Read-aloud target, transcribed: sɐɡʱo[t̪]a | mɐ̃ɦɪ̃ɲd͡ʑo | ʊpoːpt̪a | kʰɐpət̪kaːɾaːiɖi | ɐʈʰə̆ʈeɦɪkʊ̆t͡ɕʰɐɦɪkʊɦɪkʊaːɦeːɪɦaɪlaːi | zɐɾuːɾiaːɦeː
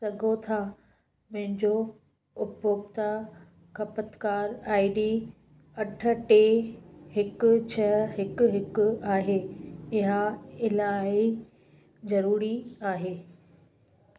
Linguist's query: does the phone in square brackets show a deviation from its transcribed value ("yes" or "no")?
yes